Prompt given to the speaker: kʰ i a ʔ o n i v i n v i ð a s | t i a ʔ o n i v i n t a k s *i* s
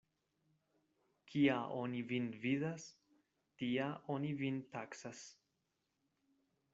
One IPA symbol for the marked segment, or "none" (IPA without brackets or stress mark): a